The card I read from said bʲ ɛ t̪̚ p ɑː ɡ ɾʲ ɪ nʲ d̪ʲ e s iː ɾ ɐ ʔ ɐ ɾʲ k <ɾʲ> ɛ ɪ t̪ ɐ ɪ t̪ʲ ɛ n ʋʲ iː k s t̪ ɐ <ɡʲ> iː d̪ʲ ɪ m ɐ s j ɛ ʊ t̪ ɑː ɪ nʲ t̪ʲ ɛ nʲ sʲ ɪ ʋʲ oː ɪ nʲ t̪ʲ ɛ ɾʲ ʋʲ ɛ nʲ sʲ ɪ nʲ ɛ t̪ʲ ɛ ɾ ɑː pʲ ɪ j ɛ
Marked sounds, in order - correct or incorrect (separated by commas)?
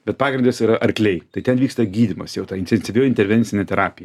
incorrect, correct